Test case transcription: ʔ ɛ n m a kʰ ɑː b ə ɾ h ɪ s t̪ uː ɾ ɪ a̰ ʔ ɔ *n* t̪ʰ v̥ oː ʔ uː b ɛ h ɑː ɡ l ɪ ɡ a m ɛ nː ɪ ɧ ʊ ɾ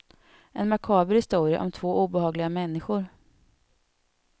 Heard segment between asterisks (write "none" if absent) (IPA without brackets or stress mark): m